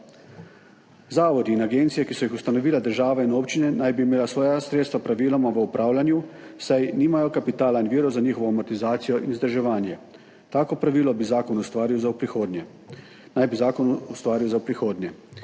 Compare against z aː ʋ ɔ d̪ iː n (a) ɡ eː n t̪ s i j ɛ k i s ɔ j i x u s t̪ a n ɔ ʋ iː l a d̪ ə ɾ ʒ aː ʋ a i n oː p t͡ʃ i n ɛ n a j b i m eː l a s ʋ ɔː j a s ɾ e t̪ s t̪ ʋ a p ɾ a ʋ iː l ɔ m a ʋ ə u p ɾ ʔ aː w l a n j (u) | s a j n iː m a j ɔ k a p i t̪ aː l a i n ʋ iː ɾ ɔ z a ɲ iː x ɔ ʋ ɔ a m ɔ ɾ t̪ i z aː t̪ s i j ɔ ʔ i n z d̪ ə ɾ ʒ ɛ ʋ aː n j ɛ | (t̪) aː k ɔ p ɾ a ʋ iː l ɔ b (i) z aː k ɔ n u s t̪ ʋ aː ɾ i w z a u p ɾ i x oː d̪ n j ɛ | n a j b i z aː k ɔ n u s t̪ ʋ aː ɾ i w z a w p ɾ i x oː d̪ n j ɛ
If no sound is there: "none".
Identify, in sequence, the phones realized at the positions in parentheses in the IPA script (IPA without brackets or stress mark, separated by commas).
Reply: a, u, t̪, i